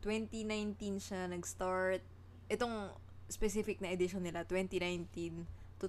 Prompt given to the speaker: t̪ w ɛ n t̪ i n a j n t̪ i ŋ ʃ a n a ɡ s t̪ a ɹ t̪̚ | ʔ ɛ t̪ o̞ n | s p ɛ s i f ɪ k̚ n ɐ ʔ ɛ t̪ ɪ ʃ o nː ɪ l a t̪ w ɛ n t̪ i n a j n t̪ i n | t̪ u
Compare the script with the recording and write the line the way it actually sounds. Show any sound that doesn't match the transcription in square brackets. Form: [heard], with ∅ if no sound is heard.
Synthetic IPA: t̪ w ɛ n t̪ i n a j n t̪ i [n] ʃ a n [ɐ] ɡ s t̪ a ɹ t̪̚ | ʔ ɛ t̪ o̞ [ŋ] | s p ɛ s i f ɪ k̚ n ɐ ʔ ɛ [d̪] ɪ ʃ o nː ɪ l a t̪ w ɛ n t̪ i n a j n t̪ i n | t̪ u